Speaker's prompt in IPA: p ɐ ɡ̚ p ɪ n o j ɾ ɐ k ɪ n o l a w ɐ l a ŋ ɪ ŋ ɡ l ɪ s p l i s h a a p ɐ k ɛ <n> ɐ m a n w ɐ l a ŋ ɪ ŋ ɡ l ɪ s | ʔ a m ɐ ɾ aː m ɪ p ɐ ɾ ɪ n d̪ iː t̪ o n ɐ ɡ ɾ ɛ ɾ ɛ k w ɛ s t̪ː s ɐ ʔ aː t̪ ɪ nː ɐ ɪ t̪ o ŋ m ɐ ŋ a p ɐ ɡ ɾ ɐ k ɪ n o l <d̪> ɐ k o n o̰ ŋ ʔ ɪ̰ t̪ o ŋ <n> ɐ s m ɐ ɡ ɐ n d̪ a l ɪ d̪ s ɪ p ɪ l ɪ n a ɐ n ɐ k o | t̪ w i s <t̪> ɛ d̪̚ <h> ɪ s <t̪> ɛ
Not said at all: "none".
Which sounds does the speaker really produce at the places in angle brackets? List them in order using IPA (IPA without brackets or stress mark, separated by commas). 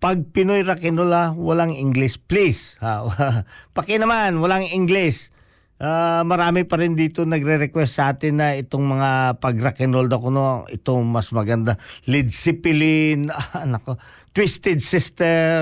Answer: n, d̪, m, t̪, s, t̪